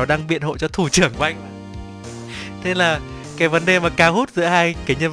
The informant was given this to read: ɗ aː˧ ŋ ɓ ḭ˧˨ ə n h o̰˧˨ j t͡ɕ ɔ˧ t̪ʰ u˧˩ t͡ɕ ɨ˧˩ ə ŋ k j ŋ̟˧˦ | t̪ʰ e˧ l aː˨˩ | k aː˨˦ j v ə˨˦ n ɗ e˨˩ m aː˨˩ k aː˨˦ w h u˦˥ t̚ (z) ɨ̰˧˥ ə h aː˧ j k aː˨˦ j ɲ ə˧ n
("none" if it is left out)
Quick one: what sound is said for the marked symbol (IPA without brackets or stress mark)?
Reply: z